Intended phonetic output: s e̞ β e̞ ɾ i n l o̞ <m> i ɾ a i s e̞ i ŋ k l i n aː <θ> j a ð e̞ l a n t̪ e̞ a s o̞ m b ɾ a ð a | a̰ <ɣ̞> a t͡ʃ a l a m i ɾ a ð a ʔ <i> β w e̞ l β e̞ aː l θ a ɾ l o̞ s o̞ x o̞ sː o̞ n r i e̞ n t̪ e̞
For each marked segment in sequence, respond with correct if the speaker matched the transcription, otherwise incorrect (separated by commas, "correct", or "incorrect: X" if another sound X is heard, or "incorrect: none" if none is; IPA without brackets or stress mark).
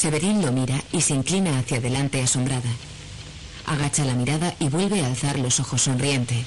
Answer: correct, correct, correct, correct